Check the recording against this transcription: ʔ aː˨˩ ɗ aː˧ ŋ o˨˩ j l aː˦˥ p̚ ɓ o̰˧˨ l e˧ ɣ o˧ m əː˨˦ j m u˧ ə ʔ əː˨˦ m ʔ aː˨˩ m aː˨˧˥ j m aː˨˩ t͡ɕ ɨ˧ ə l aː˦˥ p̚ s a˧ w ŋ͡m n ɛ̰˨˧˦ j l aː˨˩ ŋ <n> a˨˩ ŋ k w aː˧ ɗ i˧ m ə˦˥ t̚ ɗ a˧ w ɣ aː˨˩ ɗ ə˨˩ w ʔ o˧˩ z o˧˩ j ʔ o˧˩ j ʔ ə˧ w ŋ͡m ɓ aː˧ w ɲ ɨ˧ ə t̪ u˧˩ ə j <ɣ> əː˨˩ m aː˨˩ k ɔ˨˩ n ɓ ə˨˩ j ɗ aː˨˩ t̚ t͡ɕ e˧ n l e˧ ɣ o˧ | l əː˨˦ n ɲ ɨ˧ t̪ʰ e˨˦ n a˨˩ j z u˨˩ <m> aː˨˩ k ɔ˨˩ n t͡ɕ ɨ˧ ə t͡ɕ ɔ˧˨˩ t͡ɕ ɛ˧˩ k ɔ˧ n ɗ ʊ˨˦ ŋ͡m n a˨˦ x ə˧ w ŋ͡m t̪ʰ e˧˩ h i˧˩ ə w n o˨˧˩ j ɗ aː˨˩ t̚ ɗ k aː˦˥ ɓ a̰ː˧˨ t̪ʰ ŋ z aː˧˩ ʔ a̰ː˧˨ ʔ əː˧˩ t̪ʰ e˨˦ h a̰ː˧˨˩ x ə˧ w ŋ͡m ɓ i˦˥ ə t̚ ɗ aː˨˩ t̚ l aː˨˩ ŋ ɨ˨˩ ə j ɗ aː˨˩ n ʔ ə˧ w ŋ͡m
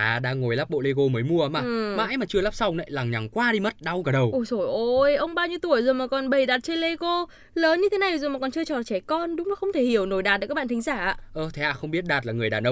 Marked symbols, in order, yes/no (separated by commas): no, no, yes